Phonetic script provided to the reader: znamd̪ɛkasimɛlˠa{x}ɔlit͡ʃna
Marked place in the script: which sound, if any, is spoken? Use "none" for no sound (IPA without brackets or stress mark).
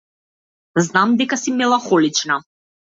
x